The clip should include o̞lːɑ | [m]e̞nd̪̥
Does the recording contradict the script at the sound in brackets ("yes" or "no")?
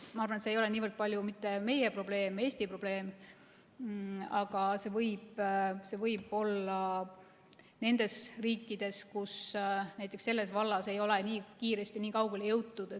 yes